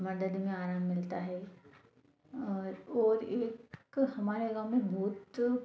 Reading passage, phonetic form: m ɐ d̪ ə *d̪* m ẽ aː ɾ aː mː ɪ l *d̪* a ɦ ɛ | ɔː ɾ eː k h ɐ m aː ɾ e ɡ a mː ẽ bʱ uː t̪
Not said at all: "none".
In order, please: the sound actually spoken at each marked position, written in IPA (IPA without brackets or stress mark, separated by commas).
d̪, t̪